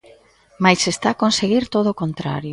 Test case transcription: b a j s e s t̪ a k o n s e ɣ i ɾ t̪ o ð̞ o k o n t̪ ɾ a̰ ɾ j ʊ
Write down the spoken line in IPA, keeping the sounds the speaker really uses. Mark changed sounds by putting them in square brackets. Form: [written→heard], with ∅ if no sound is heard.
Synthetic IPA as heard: [b→m] a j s e s t̪ a k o n s e ɣ i ɾ t̪ o ð̞ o k o n t̪ ɾ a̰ ɾ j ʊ